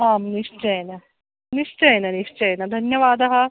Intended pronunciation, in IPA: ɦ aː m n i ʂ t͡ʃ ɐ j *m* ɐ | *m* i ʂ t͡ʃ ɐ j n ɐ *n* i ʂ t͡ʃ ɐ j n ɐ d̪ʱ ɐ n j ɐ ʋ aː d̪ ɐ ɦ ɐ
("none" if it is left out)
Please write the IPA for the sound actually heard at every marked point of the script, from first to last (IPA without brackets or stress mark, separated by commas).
n, n, n